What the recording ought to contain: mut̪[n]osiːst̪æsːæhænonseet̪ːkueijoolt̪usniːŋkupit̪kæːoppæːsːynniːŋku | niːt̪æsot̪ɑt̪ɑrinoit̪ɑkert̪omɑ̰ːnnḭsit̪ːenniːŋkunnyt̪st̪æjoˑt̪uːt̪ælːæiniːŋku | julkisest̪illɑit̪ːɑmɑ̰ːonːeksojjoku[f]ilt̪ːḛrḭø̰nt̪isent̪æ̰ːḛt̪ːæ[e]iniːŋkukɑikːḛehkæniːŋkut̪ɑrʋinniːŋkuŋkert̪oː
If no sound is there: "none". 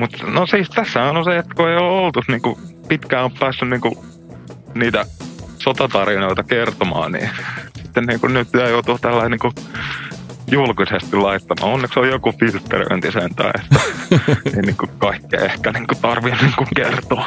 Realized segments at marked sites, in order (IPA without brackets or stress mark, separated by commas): n, f, e